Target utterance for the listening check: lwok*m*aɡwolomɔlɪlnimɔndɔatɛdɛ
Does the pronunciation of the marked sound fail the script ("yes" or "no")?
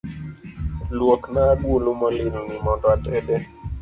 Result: yes